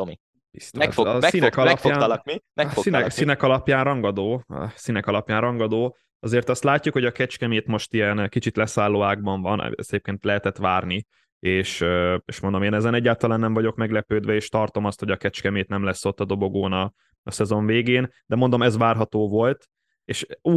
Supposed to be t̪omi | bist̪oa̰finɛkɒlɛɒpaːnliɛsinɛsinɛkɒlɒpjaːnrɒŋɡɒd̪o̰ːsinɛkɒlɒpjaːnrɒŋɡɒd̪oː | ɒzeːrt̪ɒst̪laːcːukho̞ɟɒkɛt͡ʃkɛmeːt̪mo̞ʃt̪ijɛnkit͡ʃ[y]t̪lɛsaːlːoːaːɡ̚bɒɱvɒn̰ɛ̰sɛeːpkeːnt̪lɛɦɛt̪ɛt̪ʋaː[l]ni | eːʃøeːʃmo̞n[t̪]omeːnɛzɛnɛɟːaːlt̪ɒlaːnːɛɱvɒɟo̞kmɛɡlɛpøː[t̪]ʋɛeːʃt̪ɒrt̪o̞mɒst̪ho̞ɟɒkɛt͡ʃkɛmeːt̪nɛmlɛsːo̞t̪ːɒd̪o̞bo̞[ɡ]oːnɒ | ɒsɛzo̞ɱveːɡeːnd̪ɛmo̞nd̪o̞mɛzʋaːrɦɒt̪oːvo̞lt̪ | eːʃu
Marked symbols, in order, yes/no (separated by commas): no, no, no, no, yes